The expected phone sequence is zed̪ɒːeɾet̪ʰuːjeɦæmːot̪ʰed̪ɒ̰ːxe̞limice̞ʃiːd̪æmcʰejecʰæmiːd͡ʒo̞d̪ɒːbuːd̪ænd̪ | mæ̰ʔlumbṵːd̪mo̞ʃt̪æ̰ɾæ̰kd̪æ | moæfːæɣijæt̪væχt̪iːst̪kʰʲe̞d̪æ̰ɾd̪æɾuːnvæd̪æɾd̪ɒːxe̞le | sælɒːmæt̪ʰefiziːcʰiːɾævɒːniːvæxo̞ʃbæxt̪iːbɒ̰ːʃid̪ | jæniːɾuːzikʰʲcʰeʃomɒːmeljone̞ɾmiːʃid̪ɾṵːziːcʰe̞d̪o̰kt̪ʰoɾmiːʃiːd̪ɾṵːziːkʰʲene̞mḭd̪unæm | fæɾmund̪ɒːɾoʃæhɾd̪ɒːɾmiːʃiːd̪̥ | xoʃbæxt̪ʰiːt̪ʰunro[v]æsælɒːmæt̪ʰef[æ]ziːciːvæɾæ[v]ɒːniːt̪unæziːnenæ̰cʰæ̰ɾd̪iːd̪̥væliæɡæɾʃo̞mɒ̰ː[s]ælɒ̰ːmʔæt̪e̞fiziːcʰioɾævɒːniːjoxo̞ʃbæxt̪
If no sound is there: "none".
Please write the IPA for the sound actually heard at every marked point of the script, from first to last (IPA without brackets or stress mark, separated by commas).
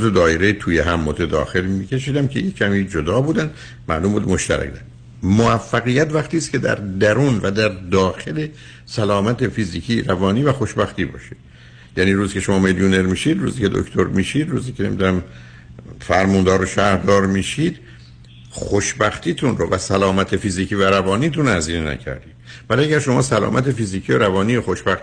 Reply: v, i, v, s